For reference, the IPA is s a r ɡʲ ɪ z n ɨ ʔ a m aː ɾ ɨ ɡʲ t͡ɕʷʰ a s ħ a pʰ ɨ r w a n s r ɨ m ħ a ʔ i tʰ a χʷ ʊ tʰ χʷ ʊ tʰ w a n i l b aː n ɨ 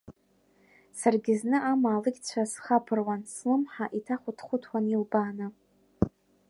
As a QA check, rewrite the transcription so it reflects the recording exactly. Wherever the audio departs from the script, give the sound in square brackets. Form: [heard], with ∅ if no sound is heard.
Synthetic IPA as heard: s a r ɡʲ ɪ z n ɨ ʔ a m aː [l] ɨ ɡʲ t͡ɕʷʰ a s [χ] a pʰ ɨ r w a n s [l] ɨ m ħ a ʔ i tʰ a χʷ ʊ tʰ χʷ ʊ tʰ w a n i l b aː n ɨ